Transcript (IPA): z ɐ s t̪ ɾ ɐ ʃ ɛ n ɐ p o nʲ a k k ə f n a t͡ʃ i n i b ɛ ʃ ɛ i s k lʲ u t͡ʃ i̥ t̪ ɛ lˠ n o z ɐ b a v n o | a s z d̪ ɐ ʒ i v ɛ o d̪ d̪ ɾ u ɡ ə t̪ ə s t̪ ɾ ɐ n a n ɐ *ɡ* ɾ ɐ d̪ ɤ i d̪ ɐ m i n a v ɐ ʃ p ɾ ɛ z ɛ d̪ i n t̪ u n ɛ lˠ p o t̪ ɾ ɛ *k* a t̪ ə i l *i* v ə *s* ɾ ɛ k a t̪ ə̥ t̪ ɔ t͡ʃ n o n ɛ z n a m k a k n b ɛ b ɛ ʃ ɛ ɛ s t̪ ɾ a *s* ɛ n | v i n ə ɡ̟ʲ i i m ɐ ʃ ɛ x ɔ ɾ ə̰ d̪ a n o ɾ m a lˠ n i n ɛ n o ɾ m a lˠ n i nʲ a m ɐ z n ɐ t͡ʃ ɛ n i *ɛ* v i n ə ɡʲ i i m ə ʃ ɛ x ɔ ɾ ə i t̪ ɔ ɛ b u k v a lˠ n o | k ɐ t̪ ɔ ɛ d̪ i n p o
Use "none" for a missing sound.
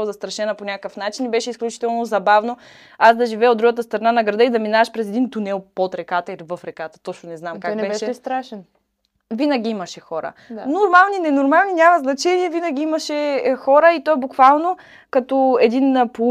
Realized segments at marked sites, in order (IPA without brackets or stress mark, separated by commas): ɡ, k, i, f, ʃ, ɛ